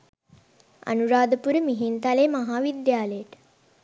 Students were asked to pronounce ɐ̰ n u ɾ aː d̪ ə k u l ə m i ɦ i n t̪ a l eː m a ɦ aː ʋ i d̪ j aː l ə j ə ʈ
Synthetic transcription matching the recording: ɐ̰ n u ɾ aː d̪ ə p u ɾ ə m i ɦ i n t̪ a l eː m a ɦ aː ʋ i d̪ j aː l ə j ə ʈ